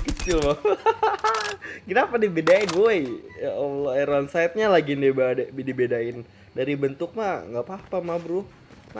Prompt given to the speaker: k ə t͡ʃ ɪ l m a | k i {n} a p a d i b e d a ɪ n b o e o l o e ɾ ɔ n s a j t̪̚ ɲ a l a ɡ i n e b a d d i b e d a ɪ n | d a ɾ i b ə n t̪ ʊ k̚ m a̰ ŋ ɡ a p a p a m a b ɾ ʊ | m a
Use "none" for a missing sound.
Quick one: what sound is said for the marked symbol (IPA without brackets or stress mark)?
n